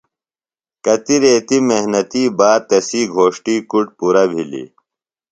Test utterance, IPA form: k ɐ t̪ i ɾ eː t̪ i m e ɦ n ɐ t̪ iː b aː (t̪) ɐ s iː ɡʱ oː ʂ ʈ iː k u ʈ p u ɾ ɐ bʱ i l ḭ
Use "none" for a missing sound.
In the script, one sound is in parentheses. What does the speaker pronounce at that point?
t̪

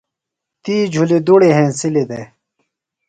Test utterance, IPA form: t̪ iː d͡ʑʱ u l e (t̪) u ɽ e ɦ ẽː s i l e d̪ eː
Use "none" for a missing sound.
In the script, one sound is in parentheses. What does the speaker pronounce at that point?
d̪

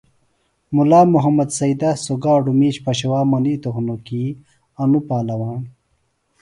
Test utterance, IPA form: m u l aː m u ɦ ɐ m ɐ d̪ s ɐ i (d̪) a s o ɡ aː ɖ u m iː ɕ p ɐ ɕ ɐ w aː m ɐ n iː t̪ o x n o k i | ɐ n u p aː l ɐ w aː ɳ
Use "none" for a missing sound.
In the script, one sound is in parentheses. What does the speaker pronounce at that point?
d̪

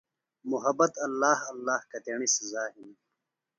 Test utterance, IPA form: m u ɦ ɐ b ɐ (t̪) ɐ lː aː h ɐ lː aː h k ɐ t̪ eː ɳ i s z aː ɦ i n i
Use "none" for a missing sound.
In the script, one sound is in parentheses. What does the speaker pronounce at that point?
t̪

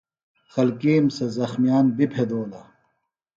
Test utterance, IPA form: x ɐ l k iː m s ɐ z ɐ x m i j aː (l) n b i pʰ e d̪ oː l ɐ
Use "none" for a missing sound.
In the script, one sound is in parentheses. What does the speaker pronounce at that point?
none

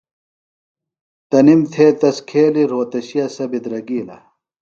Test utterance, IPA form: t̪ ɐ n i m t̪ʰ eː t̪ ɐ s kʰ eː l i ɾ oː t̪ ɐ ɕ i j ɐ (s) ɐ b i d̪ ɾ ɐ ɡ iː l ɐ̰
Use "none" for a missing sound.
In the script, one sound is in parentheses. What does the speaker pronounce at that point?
s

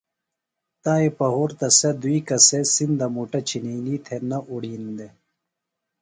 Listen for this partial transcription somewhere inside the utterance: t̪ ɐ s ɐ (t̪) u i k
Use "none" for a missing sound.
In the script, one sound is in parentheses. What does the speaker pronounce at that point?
d̪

